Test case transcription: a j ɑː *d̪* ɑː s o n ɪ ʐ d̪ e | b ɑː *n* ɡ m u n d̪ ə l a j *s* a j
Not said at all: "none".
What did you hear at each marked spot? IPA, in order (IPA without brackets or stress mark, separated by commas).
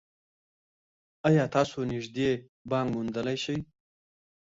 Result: t̪, ŋ, ʃ